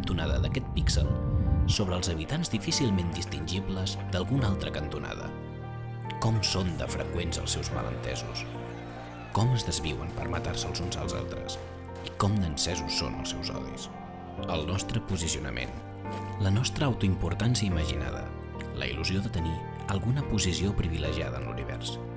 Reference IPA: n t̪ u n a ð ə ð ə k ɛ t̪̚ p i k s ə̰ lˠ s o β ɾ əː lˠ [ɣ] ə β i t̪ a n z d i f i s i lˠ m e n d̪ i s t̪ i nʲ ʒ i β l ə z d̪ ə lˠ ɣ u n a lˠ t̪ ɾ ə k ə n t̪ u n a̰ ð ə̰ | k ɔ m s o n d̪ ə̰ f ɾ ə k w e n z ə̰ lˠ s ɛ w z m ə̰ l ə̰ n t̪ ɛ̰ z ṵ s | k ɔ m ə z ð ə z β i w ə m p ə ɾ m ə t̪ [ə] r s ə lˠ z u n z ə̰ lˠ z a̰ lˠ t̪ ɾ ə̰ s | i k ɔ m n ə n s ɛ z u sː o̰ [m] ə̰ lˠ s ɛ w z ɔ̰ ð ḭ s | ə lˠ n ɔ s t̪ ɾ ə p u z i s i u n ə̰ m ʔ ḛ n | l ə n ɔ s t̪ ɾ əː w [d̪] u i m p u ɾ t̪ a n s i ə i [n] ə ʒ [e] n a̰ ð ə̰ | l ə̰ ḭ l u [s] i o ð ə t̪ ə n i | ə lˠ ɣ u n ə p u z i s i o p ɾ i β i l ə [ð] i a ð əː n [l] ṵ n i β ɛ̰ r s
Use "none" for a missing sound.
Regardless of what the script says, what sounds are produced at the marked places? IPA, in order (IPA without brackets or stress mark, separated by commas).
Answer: z, a, n, t̪, m, i, z, ʒ, l